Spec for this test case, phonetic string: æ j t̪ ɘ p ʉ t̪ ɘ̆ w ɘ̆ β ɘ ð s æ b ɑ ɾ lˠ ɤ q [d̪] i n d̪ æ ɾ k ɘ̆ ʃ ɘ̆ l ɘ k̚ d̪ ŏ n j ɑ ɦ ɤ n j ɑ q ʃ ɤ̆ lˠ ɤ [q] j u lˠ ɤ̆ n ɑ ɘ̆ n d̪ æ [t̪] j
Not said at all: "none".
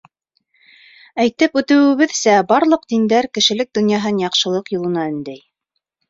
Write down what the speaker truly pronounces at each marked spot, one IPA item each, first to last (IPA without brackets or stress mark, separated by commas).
d̪, q, none